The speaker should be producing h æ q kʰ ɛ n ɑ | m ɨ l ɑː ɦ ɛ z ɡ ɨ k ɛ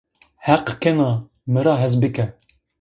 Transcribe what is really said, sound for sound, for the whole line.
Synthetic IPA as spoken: h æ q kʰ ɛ n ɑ | m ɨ ɾ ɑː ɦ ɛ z b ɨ k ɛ